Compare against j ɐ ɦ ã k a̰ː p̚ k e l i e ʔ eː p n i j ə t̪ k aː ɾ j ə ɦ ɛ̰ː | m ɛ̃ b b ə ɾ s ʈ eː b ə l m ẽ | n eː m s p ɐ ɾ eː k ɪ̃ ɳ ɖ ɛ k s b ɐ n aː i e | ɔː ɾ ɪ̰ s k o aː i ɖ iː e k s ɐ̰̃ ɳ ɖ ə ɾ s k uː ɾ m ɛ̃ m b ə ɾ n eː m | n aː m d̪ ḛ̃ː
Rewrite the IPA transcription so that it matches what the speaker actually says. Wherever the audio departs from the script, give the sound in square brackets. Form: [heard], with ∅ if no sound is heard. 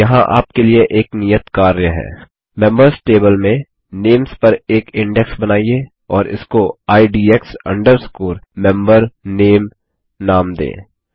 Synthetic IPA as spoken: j ɐ ɦ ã [ʔ] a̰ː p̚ k e l i e ʔ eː [k] n i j ə t̪ k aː ɾ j ə ɦ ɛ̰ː | m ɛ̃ [m] b ə ɾ s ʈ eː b ə l m ẽ | n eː m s p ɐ ɾ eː k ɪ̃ ɳ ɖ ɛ k s b ɐ n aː i e | ɔː ɾ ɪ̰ s k o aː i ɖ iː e k s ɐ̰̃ ɳ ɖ ə ɾ s k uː ɾ m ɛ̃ m b ə ɾ n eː m | n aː m d̪ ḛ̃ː